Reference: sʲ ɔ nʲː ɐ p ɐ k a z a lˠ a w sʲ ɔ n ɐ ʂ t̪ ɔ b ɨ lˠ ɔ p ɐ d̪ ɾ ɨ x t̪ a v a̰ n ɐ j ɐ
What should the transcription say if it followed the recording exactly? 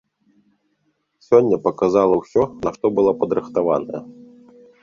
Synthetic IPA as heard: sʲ ɔ nʲː ɐ p ɐ k a z a lˠ ɐ w sʲ ɔ n ɐ ʂ t̪ ɔ b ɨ lˠ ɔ p ɐ d̪ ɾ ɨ x t̪ a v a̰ n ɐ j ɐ